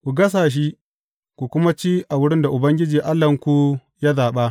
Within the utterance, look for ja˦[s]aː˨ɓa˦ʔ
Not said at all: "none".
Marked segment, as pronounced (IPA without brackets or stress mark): z